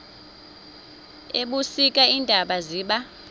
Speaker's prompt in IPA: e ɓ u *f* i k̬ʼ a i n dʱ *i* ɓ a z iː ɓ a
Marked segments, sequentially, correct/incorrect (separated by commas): incorrect, incorrect